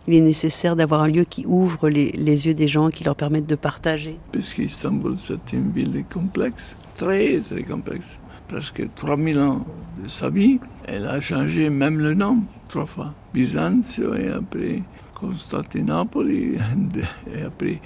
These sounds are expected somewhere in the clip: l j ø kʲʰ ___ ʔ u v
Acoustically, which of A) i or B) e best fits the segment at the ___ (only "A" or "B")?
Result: A